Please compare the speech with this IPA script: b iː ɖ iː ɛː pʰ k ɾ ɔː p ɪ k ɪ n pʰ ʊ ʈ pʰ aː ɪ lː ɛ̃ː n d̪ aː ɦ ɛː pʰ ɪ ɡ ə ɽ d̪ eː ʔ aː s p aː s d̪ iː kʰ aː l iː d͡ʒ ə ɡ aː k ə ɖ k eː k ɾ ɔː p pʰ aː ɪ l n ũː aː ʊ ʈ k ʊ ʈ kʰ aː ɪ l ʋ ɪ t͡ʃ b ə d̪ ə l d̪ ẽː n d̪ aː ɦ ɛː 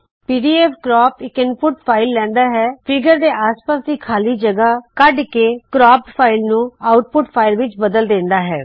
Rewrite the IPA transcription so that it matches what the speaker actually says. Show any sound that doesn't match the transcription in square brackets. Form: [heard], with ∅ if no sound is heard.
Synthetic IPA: [p] iː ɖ iː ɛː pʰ k ɾ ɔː p ɪ k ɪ n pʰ ʊ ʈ pʰ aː ɪ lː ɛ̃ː n d̪ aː ɦ ɛː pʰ ɪ ɡ ə [ɾ] d̪ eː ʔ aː s p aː s d̪ iː kʰ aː l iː d͡ʒ ə ɡ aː k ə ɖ k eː k ɾ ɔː p pʰ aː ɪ l n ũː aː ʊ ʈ [p] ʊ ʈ [pʰ] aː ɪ l ʋ ɪ t͡ʃ b ə d̪ ə l d̪ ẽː n d̪ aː ɦ ɛː